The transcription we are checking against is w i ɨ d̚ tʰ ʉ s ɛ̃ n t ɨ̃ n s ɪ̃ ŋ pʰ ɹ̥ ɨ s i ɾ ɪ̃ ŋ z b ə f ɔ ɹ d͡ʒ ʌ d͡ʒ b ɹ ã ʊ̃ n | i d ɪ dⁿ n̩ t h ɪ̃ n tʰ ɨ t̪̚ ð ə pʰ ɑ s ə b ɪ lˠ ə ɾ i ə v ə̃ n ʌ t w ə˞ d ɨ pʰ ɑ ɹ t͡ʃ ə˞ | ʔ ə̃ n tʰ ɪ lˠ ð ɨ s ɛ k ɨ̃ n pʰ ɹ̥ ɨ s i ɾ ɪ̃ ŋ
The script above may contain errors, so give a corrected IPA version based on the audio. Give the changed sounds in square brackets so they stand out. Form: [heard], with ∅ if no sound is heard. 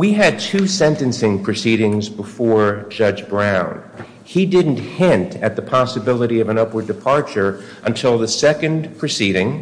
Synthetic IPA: w i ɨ d̚ tʰ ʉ s ɛ̃ n t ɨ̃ n s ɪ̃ ŋ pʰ ɹ̥ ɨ s i ɾ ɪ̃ ŋ z b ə f ɔ ɹ d͡ʒ ʌ d͡ʒ b ɹ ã ʊ̃ n | i d ɪ dⁿ n̩ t h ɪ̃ n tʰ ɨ t̪̚ ð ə pʰ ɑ s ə b ɪ lˠ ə ɾ i [ʌ] v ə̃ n ʌ [p] w ə˞ d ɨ pʰ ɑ ɹ t͡ʃ ə˞ | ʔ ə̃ n tʰ ɪ lˠ ð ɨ s ɛ k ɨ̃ n pʰ ɹ̥ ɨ s i ɾ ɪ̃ ŋ